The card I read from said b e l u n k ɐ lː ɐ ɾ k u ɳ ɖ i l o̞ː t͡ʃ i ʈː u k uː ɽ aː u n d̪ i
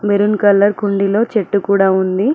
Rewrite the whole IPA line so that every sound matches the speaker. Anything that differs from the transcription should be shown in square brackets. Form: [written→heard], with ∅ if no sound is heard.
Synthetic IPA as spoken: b e [l→ɾ] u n k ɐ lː ɐ ɾ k u ɳ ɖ i l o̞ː t͡ʃ [i→e] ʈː u k uː ɽ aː u n d̪ i